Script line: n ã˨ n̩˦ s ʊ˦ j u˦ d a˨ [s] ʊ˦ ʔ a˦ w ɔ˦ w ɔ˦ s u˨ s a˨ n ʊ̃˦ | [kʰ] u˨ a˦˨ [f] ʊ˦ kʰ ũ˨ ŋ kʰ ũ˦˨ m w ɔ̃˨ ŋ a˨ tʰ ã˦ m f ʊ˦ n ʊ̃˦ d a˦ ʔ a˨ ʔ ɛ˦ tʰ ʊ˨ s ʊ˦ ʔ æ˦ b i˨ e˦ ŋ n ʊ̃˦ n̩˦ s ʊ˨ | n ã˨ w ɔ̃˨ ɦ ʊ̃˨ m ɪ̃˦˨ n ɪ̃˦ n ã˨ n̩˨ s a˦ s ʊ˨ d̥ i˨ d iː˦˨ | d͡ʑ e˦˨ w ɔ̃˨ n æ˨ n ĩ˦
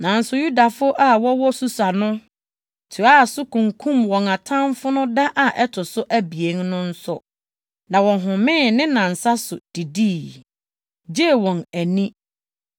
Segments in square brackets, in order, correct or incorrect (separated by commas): incorrect, incorrect, incorrect